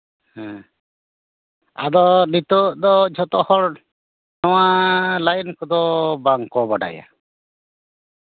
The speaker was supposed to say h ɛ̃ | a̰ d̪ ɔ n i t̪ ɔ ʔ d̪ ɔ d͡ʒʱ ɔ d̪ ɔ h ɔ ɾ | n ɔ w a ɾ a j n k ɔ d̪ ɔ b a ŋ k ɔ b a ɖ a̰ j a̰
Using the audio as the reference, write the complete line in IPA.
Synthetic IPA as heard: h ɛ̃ | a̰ d̪ ɔ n i t̪ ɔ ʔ d̪ ɔ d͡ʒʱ ɔ t̪ ɔ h ɔ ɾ | n ɔ w a l a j n k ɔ d̪ ɔ b a ŋ k ɔ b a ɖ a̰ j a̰